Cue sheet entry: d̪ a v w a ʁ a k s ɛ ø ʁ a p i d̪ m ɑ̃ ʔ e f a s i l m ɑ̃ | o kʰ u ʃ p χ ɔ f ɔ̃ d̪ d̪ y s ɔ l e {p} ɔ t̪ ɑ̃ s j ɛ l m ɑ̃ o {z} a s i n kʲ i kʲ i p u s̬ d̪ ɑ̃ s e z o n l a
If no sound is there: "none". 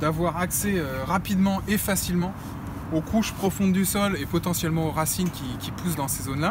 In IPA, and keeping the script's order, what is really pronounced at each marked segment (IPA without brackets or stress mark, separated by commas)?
p, ʁ